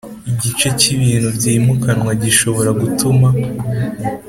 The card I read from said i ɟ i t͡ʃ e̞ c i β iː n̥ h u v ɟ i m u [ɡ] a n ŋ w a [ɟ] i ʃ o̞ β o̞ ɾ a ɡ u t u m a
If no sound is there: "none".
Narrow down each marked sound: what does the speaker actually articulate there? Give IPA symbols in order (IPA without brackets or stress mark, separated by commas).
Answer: k, ɟ